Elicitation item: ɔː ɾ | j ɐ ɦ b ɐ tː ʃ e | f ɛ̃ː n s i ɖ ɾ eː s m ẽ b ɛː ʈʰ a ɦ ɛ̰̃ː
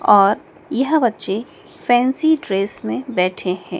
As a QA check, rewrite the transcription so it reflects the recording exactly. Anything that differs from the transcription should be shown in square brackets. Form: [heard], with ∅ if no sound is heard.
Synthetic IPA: ɔː ɾ | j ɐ ɦ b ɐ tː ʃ e | f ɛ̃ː n s i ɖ ɾ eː s m ẽ b ɛː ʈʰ [e] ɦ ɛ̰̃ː